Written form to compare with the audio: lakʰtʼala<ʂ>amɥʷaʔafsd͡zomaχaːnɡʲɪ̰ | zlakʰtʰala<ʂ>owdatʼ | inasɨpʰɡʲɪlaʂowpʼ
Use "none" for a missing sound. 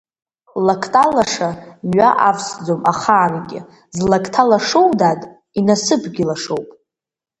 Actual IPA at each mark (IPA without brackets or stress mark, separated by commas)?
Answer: ʂ, ʂ